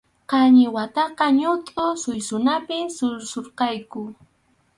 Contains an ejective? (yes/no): yes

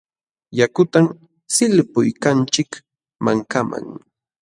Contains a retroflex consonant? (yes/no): no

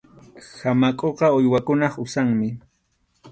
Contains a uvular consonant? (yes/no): yes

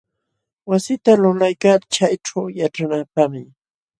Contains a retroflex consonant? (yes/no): yes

